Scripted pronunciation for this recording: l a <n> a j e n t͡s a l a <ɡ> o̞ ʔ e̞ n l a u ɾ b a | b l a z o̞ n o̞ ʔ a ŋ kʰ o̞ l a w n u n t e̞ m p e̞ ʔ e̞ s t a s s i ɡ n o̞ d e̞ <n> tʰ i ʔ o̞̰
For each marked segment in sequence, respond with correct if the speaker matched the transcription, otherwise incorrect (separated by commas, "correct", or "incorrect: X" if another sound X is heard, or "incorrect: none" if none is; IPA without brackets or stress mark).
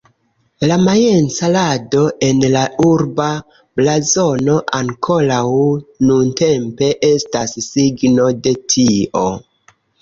incorrect: m, incorrect: d, incorrect: none